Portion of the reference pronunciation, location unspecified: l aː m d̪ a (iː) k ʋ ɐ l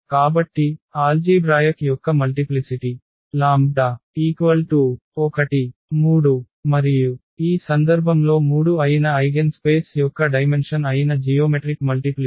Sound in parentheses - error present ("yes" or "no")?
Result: no